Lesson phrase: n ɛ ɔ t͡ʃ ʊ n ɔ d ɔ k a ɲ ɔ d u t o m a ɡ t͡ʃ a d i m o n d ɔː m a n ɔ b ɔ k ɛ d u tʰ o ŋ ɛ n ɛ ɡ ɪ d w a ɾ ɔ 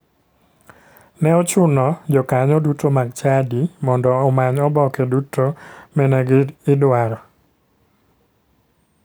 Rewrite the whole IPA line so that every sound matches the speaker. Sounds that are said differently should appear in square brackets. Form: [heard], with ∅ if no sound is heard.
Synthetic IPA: n ɛ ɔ t͡ʃ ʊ n ɔ [d͡ʒ] ɔ k a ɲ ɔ d u t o m a ɡ t͡ʃ a d i m [ɔ] n d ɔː m a [ɲ] ɔ b ɔ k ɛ d u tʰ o [m] ɛ n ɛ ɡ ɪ d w a ɾ ɔ